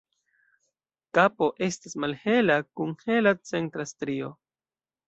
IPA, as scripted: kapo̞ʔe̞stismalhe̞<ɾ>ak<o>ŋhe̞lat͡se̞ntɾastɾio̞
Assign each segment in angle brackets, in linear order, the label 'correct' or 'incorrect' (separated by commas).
incorrect, incorrect